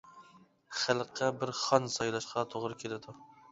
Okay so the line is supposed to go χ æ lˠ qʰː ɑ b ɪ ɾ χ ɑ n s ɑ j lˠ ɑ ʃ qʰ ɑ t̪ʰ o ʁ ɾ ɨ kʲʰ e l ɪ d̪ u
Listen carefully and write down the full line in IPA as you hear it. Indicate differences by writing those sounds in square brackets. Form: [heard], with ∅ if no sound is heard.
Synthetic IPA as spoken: χ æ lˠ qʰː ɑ b ɪ ɾ χ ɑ n s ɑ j lˠ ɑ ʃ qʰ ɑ t̪ʰ o ʁ ɾ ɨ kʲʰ e l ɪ d̪ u